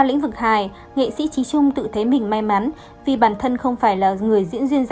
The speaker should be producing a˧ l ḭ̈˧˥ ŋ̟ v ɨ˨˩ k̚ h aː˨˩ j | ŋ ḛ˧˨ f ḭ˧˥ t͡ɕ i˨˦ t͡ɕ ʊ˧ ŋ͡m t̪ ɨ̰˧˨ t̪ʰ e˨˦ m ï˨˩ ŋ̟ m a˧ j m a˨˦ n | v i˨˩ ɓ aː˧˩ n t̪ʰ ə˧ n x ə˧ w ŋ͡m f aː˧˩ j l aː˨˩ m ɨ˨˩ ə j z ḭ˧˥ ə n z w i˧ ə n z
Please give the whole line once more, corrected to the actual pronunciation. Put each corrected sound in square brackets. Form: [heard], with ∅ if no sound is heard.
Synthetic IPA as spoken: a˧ l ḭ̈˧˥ ŋ̟ v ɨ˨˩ k̚ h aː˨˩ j | ŋ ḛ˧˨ [s] ḭ˧˥ t͡ɕ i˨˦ t͡ɕ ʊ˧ ŋ͡m t̪ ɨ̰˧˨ t̪ʰ e˨˦ m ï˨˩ ŋ̟ m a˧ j m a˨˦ n | v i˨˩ ɓ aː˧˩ n t̪ʰ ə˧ n x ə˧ w ŋ͡m f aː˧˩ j l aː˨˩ [ŋ] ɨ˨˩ ə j z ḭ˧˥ ə n z w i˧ ə n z